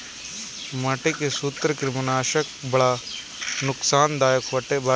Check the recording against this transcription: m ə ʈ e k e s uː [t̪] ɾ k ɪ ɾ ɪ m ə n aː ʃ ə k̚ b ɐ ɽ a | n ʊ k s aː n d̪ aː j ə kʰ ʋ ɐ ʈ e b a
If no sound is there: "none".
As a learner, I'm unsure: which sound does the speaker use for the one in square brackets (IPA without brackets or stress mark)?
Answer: t̪